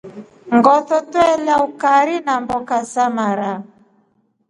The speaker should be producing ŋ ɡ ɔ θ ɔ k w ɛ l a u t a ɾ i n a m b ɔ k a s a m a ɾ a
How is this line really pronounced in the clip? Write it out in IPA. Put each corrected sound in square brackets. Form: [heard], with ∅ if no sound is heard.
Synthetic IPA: ŋ ɡ ɔ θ ɔ [t] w ɛ l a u [k] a ɾ i n a m b ɔ k a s a m a ɾ a

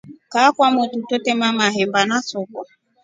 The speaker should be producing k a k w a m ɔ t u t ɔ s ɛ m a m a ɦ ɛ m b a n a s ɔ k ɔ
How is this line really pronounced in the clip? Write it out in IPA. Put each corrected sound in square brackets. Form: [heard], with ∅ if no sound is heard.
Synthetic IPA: k a k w a m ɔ t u t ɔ [t] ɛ m a m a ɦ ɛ m b a n a s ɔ k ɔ

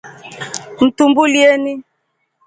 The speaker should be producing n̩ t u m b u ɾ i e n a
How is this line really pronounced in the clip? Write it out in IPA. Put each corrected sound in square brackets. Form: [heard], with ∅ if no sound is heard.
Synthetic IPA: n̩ t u m b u [l] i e n [i]

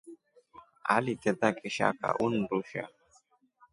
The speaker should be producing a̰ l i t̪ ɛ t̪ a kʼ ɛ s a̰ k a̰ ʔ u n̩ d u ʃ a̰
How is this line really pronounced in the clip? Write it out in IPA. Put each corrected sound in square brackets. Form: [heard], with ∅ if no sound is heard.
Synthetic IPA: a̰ l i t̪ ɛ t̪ a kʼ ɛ [ʃ] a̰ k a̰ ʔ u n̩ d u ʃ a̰

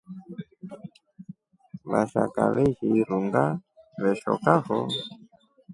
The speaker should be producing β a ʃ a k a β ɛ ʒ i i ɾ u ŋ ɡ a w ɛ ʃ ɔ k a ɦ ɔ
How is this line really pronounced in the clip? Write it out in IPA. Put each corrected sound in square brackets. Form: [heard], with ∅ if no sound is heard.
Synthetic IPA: β a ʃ a k a β ɛ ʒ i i ɾ u ŋ ɡ a [β] ɛ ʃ ɔ k a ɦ ɔ

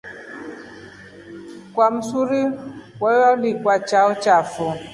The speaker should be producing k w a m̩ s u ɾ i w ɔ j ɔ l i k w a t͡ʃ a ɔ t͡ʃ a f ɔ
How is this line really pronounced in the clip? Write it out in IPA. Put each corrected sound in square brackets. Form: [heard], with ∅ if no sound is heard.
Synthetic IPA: k w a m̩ s u ɾ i w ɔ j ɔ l i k w a t͡ʃ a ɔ t͡ʃ a f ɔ

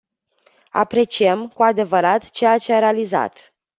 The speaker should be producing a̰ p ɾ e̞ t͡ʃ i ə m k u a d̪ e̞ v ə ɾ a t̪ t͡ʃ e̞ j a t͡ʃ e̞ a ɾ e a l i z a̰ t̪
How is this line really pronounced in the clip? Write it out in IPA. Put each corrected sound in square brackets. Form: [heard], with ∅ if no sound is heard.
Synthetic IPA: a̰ p ɾ e̞ t͡ʃ i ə m k u a d̪ e̞ v ə ɾ a t̪ t͡ʃ e̞ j a t͡ʃ e̞ a ɾ e a l i z a̰ t̪

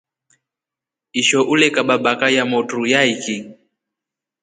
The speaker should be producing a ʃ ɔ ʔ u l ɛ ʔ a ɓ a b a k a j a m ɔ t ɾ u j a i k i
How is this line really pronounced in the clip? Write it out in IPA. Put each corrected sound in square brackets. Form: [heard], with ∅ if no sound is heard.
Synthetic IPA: [i] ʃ ɔ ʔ u l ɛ [k] a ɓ a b a k a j a m ɔ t ɾ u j a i k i

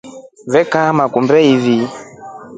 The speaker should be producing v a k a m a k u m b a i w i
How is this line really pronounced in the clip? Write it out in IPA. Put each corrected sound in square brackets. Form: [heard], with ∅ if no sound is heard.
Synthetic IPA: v [ɛ] k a m a k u m b [ɛ] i [v] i

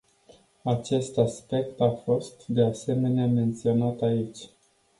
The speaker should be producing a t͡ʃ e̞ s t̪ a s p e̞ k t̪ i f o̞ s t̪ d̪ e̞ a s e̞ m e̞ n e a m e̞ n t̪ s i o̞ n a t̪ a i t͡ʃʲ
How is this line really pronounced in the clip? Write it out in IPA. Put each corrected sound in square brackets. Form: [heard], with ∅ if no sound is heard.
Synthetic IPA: a t͡ʃ e̞ s t̪ a s p e̞ k t̪ [a] f o̞ s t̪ d̪ e̞ a s e̞ m e̞ n e a m e̞ n t̪ s i o̞ n a t̪ a i t͡ʃʲ

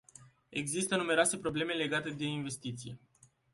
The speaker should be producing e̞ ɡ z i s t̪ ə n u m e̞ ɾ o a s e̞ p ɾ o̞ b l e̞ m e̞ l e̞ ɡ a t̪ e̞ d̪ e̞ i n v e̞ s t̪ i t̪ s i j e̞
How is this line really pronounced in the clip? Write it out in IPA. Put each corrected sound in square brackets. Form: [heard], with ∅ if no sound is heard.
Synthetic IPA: e̞ ɡ z i s t̪ ə n u m e̞ ɾ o a s e̞ p ɾ o̞ b l e̞ m e̞ l e̞ ɡ a t̪ e̞ d̪ e̞ i n v e̞ s t̪ i t̪ s i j e̞

